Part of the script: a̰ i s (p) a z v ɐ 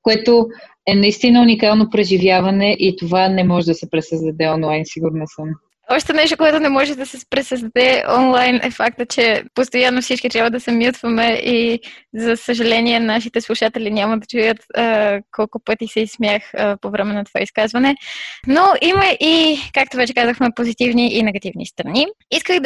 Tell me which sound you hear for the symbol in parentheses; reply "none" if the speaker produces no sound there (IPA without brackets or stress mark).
k